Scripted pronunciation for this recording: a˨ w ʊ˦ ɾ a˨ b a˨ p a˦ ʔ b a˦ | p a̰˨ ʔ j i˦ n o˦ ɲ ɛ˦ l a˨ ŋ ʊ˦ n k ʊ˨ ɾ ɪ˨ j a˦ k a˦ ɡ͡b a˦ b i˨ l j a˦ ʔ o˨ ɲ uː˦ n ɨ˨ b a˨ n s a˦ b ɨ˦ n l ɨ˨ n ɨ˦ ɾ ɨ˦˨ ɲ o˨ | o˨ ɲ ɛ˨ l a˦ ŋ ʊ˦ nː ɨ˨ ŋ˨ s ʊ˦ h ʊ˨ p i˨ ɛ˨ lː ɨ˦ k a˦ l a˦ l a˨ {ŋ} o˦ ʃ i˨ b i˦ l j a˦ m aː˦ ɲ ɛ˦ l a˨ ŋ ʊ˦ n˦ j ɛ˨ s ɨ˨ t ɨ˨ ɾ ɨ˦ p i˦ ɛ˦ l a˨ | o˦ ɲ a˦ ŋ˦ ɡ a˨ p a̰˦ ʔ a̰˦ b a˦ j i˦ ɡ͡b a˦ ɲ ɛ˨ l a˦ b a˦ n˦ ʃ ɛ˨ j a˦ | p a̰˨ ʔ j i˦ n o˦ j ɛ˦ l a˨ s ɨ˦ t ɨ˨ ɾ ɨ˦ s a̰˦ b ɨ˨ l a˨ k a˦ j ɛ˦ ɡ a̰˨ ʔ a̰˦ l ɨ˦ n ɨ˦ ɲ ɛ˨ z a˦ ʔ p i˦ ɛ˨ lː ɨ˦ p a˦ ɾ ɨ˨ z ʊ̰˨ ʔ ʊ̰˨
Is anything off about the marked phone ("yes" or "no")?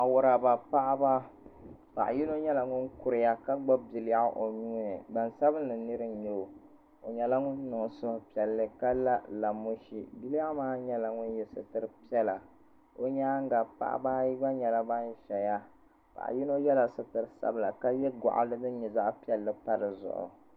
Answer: yes